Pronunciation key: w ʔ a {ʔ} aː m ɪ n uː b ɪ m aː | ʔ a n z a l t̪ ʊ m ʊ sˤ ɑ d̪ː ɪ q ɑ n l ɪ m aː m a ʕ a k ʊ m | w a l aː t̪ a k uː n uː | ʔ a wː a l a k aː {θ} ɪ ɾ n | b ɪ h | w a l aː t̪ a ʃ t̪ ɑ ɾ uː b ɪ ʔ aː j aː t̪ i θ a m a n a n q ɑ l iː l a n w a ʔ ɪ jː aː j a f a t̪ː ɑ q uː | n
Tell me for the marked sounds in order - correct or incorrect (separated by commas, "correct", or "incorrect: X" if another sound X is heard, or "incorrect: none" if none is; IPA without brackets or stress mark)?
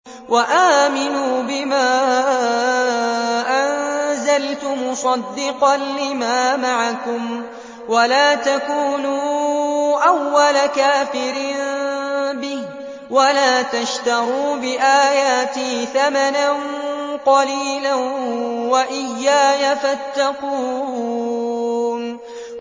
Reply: correct, incorrect: f